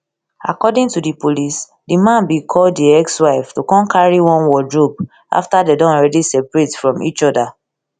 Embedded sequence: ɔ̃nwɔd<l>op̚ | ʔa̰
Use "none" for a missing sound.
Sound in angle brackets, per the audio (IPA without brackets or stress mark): ɹ